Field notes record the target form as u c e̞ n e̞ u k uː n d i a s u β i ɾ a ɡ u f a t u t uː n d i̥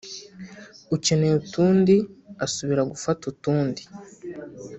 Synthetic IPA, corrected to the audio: u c e̞ n e̞ u t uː n d i a s u β i ɾ a ɡ u f a t u t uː n d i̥